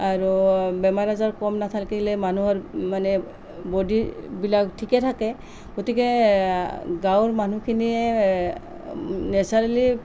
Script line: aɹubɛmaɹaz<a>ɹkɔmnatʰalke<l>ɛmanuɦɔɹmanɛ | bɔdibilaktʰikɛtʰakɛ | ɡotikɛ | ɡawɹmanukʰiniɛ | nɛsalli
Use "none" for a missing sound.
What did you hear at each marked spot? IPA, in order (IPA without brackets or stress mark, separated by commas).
a, l